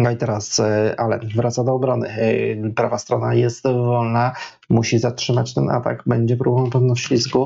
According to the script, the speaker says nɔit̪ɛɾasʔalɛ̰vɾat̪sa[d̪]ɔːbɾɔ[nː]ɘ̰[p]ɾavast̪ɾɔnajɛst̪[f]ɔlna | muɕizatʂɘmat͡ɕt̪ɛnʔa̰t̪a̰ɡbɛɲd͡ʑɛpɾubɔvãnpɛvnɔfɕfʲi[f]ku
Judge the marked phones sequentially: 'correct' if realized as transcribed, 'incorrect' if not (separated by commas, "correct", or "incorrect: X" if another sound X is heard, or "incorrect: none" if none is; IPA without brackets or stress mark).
correct, incorrect: n, correct, incorrect: v, incorrect: s